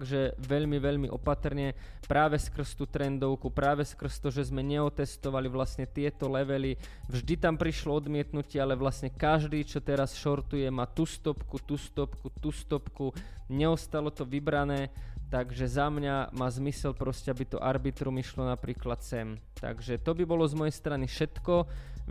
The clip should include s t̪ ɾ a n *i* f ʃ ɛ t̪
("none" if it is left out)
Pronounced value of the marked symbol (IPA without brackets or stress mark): i